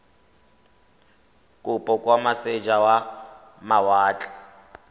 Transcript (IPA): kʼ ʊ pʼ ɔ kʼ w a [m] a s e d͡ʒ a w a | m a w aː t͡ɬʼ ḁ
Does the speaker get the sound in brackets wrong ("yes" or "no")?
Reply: no